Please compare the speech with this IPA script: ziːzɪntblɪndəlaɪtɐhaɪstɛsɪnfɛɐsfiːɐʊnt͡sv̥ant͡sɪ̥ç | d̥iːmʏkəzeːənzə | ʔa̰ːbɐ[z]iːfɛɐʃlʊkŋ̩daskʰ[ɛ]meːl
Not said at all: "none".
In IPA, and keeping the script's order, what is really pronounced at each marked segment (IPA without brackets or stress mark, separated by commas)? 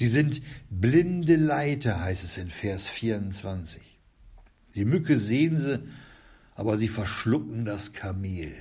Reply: z, a